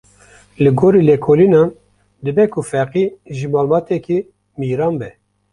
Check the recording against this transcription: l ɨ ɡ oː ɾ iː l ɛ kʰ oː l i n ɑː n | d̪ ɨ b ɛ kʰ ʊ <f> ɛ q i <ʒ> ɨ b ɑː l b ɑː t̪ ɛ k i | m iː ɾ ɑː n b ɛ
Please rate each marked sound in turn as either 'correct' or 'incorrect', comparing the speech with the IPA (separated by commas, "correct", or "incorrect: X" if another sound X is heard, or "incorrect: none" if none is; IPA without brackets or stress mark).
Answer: correct, correct